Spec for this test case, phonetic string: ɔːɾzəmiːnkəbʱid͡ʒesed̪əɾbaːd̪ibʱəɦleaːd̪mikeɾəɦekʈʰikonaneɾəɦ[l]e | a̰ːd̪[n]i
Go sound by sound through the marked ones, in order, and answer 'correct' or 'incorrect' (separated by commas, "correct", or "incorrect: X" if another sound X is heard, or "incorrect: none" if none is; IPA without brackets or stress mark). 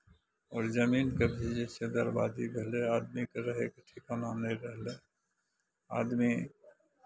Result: correct, incorrect: m